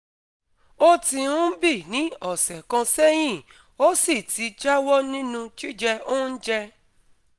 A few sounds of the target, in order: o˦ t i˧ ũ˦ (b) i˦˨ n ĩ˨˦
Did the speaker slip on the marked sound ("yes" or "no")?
no